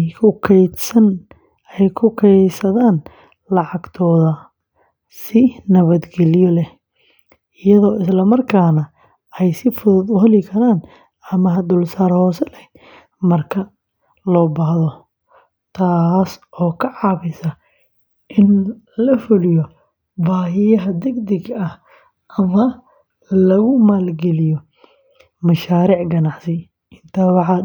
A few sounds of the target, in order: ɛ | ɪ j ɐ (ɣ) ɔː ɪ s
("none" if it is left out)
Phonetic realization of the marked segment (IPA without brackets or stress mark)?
ð